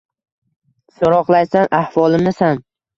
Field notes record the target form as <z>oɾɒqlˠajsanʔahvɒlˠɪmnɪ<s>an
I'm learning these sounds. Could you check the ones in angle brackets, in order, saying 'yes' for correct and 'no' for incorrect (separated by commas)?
no, yes